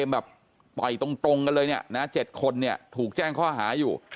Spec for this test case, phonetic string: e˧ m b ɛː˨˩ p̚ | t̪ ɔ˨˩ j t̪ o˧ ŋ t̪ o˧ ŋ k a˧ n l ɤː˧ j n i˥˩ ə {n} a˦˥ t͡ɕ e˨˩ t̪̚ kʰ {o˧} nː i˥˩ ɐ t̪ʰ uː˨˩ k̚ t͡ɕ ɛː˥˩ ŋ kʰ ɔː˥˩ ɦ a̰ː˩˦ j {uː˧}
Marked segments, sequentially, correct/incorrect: correct, correct, incorrect

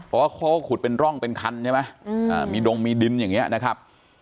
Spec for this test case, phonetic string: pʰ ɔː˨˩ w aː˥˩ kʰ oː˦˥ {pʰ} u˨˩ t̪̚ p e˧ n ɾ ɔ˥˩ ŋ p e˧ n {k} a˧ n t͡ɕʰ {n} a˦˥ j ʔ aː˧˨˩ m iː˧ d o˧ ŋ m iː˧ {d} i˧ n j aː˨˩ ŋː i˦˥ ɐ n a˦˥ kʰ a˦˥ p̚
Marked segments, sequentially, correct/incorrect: incorrect, incorrect, incorrect, correct

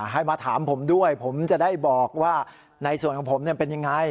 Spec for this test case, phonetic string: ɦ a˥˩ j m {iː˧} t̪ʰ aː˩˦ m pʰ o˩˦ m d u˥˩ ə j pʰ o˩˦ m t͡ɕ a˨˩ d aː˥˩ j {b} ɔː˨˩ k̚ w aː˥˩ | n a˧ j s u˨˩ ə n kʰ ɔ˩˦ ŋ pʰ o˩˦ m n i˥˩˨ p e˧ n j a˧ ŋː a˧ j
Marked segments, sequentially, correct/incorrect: incorrect, correct

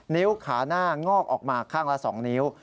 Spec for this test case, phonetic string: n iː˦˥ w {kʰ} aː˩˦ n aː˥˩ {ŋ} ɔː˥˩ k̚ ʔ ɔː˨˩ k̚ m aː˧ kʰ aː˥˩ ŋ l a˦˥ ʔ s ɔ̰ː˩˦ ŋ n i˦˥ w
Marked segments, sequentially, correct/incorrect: correct, correct

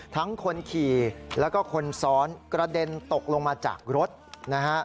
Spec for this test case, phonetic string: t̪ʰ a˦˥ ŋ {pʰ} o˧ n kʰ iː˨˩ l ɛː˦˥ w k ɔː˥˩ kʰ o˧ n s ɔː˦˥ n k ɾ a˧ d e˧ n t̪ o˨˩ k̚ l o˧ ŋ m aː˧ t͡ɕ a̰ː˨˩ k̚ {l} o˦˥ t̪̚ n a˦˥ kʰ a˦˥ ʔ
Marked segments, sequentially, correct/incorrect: incorrect, incorrect

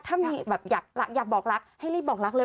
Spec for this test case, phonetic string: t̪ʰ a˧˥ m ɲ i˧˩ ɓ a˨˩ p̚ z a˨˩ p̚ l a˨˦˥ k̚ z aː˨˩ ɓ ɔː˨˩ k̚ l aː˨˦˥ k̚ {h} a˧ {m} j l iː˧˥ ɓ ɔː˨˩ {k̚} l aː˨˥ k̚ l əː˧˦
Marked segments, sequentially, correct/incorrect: correct, incorrect, correct

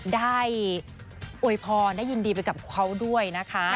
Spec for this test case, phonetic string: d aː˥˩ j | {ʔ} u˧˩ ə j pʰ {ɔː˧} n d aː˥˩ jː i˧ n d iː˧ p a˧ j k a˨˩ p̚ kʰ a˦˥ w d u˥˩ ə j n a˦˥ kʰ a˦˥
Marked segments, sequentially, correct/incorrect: correct, correct

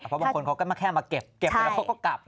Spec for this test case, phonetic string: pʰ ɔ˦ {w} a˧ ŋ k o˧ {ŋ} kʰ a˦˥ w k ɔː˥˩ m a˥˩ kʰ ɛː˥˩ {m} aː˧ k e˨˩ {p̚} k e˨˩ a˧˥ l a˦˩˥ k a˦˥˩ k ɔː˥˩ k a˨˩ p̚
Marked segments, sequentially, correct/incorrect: incorrect, incorrect, correct, correct

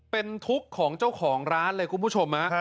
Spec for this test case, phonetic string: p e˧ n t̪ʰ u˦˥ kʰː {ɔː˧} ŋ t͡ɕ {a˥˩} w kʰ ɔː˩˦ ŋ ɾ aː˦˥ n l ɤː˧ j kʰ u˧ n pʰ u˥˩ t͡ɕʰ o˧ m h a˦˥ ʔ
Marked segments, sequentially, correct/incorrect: incorrect, correct

